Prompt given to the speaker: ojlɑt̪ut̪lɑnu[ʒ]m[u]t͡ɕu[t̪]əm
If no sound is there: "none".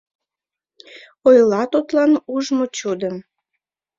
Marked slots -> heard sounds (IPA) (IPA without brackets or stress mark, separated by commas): ʒ, o, d̪